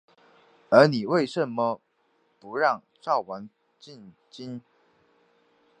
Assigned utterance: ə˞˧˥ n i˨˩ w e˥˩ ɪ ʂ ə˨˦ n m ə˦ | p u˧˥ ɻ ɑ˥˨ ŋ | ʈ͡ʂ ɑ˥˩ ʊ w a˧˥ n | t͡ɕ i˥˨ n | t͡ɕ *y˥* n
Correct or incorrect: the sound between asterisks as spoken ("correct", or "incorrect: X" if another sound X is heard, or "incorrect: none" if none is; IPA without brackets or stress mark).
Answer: incorrect: i˥